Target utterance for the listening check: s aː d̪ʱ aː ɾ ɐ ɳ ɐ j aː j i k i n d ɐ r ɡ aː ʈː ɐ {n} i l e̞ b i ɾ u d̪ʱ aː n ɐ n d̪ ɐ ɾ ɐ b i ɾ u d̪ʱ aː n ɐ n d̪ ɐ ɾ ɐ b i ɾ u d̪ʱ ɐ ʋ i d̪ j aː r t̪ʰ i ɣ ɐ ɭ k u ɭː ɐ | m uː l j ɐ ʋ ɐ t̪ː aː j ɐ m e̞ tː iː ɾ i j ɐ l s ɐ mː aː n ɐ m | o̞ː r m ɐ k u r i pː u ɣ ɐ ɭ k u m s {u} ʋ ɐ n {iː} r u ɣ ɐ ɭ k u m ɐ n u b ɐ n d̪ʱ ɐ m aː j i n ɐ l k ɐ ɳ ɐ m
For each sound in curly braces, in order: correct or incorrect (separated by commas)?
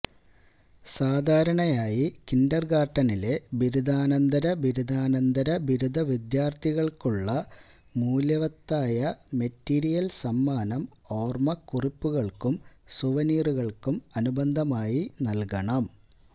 correct, correct, correct